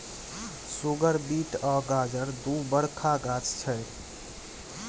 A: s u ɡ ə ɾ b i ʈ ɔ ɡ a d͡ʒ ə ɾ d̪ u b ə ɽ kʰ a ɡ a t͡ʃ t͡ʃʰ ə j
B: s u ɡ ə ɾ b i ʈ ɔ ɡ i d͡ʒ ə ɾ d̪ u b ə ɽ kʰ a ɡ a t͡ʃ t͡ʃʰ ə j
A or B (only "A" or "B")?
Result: A